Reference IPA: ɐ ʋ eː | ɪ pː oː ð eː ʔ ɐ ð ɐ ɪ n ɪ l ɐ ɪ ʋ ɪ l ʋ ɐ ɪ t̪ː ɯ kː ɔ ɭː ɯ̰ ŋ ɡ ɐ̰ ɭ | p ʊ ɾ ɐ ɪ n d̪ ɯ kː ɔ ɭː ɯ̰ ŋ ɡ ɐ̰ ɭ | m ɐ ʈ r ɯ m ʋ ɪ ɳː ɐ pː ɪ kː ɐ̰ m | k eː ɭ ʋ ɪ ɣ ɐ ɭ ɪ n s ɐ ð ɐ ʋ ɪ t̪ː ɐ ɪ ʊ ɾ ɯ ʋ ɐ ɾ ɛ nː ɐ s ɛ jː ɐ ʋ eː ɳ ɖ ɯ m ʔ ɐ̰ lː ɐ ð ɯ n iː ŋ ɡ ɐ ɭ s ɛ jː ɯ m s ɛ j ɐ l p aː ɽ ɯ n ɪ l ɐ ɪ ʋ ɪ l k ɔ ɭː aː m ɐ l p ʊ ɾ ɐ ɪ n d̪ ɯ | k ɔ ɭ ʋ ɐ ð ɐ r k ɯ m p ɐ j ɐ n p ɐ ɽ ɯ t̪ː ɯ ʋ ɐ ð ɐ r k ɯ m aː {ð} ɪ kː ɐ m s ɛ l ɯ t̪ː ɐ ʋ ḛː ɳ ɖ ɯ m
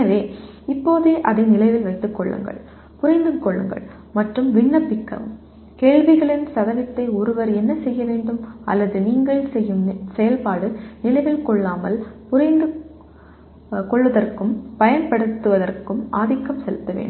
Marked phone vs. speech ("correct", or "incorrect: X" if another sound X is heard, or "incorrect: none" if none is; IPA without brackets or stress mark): correct